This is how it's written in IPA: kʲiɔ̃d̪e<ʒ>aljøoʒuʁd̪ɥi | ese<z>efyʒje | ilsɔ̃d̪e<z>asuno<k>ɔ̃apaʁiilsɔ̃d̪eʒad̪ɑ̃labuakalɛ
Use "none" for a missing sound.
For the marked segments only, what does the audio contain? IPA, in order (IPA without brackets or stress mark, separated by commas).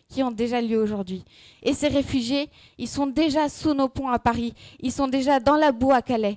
ʒ, ʁ, ʒ, p